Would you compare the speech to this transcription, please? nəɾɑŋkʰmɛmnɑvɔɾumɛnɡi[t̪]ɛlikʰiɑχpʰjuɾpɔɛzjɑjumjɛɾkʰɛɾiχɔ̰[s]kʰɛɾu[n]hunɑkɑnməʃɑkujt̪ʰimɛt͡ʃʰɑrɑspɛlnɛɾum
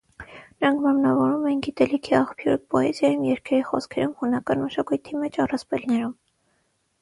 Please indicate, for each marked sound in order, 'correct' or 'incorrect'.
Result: correct, correct, incorrect: m

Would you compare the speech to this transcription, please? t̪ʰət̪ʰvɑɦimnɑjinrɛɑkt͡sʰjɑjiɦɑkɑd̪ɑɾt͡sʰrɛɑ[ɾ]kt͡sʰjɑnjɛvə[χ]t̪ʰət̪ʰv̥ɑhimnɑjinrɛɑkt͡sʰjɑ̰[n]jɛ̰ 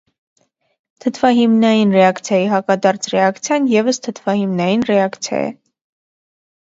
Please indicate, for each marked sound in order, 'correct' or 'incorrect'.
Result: incorrect: none, incorrect: s, incorrect: none

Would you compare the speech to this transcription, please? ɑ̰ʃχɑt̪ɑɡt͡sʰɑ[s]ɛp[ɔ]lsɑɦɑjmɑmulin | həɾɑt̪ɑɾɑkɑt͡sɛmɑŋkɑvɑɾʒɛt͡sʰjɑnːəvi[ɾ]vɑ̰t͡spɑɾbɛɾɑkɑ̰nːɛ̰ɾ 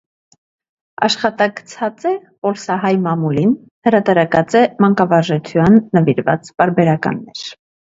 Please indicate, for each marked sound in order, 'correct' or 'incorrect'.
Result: incorrect: t͡s, correct, correct

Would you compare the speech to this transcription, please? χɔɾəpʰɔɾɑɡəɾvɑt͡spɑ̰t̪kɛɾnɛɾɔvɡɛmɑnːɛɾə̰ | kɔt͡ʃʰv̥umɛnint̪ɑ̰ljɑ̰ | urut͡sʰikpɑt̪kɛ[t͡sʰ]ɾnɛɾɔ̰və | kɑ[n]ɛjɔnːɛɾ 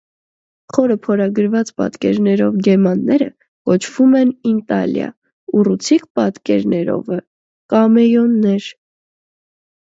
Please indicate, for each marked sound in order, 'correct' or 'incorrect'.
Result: incorrect: none, incorrect: m

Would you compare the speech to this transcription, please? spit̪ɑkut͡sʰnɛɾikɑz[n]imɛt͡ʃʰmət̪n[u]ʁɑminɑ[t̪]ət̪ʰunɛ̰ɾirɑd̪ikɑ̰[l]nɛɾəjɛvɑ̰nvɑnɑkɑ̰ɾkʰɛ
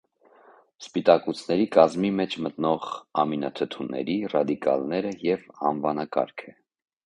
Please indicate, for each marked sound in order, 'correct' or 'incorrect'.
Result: incorrect: m, incorrect: ɔ, incorrect: t̪ʰ, correct

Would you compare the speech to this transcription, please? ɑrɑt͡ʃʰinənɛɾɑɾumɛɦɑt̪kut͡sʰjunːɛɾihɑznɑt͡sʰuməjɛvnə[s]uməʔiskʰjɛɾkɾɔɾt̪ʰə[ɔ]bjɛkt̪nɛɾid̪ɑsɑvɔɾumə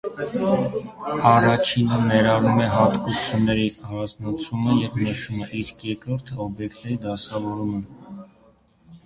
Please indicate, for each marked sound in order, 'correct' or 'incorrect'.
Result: incorrect: ʃ, correct

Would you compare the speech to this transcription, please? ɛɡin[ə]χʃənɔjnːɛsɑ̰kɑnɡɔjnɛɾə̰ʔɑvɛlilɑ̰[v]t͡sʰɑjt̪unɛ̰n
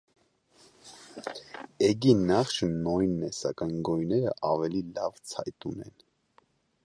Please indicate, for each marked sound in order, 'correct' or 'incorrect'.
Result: incorrect: ɑ, correct

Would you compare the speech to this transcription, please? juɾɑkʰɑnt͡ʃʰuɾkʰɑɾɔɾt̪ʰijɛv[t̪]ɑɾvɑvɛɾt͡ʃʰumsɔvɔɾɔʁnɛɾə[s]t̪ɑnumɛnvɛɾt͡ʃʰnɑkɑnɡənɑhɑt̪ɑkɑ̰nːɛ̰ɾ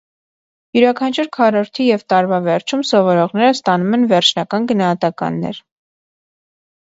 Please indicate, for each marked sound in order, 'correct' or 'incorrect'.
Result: correct, correct

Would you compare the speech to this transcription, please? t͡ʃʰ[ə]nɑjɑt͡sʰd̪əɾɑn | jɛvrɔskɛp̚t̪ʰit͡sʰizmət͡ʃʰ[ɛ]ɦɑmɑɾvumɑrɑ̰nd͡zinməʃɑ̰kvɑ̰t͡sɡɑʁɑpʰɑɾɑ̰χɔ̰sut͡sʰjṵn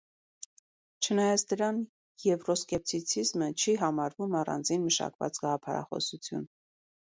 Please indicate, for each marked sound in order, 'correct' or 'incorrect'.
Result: correct, incorrect: i

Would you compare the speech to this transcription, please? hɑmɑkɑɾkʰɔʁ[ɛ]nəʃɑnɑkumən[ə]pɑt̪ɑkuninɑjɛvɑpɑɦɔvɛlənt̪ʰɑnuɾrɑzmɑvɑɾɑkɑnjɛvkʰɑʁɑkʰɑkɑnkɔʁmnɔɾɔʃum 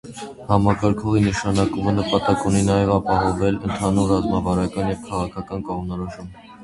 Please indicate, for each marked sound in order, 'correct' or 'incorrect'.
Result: incorrect: i, correct

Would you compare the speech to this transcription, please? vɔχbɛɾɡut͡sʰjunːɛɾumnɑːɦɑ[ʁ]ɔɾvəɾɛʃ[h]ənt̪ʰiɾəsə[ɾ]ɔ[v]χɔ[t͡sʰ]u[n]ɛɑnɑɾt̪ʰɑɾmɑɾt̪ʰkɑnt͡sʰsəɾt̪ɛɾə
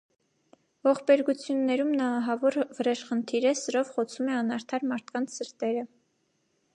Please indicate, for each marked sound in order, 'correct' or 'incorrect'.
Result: incorrect: v, incorrect: χ, correct, correct, correct, incorrect: m

